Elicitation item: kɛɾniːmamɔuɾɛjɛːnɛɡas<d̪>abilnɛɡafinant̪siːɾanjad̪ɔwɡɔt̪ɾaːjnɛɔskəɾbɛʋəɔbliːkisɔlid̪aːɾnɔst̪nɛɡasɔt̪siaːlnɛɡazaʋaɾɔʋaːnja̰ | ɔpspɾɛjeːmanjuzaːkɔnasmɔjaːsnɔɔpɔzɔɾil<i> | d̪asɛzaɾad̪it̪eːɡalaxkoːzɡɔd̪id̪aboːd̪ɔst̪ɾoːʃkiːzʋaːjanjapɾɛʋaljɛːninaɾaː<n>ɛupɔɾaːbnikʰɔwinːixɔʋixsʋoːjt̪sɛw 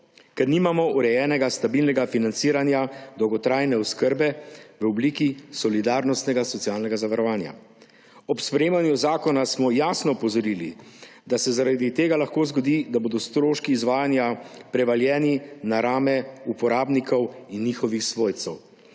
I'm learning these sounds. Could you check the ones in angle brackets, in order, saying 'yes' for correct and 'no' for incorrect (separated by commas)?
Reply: no, yes, no